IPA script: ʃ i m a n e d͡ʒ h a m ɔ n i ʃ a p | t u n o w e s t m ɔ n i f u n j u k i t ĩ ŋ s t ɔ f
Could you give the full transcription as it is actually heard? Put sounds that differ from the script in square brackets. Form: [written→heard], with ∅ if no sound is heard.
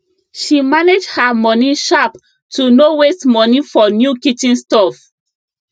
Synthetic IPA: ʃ i m a n e d͡ʒ h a m ɔ n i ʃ a p | t u n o w e s t m ɔ n i f [u→ɔ] n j u k i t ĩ [ŋ→n] s t ɔ f